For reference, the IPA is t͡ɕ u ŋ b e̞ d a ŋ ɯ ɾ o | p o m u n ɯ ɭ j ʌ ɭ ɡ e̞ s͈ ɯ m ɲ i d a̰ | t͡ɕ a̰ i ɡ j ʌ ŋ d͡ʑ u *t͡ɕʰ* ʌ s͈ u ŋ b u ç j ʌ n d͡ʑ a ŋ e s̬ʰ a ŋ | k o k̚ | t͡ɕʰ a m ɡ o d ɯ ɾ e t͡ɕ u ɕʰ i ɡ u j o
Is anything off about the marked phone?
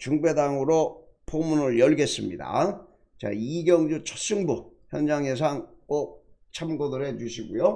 no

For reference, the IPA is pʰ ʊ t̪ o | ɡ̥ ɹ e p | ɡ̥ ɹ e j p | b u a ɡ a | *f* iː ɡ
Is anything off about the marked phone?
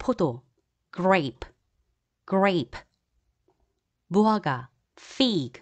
no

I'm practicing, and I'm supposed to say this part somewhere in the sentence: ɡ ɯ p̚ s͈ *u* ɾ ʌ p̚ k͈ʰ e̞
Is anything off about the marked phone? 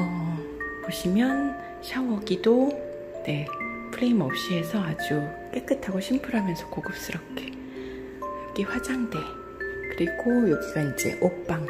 yes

